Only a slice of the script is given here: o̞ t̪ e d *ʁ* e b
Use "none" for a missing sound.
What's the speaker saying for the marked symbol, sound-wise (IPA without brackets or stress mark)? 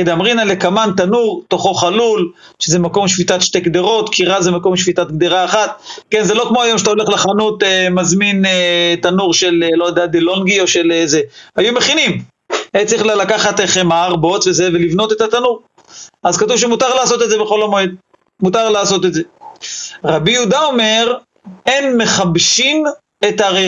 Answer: z